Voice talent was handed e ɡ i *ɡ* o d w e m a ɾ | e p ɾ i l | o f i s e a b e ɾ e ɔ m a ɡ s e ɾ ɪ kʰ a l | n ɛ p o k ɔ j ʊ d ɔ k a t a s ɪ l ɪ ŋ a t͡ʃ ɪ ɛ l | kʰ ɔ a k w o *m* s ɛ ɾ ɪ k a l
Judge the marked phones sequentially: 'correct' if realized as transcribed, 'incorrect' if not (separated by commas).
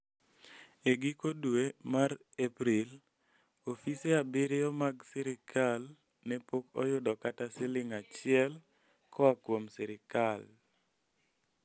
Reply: incorrect, correct